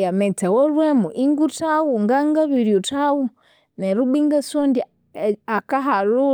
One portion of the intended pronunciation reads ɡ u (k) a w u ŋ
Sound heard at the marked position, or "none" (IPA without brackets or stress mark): t